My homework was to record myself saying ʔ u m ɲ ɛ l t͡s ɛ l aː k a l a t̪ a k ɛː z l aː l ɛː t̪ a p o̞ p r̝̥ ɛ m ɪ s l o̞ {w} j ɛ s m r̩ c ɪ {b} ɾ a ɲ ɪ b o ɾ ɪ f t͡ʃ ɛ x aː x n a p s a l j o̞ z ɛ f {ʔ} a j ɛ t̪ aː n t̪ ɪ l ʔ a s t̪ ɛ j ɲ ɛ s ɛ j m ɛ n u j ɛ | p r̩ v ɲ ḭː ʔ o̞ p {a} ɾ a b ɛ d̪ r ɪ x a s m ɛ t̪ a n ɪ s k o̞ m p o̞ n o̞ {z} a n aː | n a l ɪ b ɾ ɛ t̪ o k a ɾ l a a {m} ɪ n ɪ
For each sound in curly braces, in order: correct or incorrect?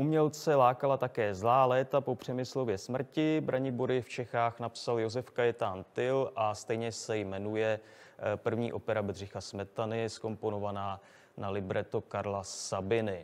incorrect: v, correct, incorrect: k, incorrect: ɛ, incorrect: v, incorrect: b

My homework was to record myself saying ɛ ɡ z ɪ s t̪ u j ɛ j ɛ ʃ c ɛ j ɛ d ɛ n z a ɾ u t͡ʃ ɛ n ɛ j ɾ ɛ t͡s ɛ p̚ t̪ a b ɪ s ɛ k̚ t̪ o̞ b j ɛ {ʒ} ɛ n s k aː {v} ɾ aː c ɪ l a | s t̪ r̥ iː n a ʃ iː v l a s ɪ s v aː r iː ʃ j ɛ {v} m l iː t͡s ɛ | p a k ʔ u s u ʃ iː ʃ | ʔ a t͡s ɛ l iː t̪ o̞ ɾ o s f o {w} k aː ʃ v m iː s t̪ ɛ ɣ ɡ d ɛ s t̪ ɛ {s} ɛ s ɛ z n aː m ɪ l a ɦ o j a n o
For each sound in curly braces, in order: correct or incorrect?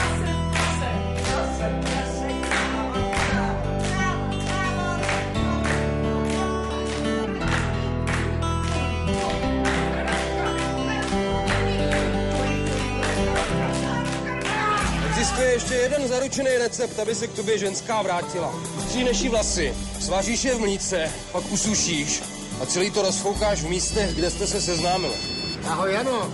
correct, correct, correct, correct, correct

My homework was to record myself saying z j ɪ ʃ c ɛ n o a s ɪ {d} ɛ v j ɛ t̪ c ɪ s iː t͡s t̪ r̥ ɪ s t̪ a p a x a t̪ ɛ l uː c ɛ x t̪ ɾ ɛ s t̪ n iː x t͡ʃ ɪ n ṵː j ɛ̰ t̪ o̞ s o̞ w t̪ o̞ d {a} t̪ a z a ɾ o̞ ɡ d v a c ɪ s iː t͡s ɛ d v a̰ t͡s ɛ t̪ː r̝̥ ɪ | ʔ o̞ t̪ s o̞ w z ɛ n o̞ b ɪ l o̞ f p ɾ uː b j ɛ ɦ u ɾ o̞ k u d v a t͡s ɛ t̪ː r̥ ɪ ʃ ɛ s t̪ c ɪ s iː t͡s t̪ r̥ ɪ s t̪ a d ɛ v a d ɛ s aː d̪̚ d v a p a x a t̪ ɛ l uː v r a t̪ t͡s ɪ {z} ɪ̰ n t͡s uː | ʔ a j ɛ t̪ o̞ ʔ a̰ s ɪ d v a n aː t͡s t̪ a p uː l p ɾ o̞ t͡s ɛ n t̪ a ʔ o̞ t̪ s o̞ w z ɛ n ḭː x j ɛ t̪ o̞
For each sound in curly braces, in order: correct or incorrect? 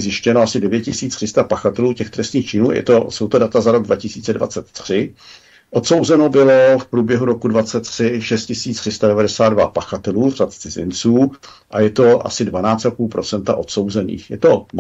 correct, correct, correct

